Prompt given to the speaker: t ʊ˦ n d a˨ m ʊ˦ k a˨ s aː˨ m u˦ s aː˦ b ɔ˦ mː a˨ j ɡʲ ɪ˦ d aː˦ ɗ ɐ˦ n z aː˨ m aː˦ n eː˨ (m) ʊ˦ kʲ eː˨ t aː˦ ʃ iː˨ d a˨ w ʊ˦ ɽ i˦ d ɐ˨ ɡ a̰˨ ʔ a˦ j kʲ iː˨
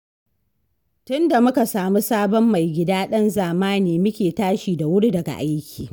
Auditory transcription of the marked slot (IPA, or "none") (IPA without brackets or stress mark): m